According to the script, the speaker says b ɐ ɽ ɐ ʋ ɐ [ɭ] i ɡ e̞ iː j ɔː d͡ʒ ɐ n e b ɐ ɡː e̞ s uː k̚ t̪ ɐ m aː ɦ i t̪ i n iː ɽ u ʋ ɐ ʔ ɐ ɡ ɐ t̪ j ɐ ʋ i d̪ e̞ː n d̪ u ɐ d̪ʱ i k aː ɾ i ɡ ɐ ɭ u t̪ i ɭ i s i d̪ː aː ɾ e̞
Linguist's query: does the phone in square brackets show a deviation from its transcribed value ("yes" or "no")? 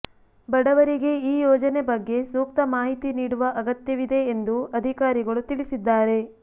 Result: yes